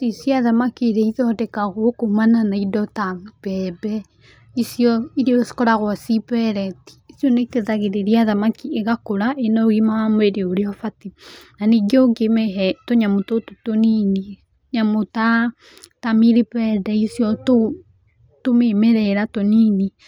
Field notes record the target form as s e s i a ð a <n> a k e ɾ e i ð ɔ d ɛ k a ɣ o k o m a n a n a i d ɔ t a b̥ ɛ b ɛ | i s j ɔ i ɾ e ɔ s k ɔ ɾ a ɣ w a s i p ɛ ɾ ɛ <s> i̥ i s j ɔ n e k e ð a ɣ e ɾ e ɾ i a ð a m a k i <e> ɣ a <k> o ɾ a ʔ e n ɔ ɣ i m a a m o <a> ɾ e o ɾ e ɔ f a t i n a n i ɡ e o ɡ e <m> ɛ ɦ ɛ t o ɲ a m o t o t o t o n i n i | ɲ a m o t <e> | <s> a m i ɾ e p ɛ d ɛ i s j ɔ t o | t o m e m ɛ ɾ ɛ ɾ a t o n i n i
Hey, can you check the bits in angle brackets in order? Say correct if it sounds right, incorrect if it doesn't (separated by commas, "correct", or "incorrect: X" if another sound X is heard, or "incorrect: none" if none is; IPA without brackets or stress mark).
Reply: incorrect: m, incorrect: t, correct, correct, incorrect: e, correct, incorrect: a, incorrect: t